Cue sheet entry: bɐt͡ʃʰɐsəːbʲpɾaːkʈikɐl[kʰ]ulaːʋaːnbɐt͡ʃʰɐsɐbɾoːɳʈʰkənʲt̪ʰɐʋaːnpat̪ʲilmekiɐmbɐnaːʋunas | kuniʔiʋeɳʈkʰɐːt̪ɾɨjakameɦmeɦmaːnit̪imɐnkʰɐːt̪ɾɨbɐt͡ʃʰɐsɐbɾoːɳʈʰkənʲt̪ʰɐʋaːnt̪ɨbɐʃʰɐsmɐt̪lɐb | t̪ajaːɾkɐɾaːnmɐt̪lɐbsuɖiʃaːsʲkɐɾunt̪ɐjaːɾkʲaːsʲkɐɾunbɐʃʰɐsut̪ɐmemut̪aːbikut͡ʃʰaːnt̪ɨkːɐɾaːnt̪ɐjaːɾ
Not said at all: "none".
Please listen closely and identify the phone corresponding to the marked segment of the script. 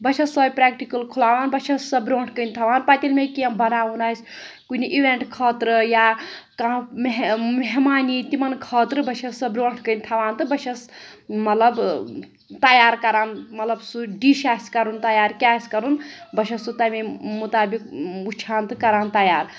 kʰ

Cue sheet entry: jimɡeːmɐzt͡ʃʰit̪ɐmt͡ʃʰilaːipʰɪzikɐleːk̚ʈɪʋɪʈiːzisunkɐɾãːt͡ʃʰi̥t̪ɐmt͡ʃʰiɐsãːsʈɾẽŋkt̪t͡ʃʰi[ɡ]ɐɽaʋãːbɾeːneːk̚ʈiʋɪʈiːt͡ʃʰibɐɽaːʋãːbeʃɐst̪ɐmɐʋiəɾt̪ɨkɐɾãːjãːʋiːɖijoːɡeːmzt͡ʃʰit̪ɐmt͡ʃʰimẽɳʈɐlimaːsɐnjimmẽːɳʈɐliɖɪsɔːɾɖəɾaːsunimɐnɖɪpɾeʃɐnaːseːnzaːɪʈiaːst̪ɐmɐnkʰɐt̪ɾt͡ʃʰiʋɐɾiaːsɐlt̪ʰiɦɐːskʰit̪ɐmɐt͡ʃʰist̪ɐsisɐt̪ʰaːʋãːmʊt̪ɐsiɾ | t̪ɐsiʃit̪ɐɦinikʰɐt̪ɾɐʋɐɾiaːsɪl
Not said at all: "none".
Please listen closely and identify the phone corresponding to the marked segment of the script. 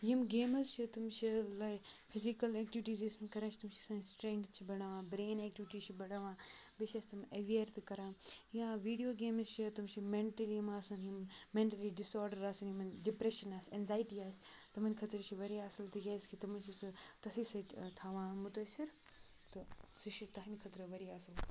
b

